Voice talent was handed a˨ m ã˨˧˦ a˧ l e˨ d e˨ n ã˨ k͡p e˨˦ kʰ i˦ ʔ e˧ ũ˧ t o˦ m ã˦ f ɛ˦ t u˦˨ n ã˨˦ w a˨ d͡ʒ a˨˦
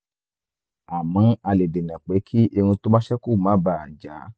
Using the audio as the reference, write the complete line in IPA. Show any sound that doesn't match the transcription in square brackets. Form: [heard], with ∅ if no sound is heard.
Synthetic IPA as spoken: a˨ m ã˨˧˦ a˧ l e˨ d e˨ n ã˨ k͡p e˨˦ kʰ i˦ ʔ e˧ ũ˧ t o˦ m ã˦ [ʃ] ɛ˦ [k] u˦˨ [m] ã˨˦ [b] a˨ d͡ʒ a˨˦